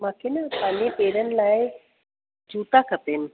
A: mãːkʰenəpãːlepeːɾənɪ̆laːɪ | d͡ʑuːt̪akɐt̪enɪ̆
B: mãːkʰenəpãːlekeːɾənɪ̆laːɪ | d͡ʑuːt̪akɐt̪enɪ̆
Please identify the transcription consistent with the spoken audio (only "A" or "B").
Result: A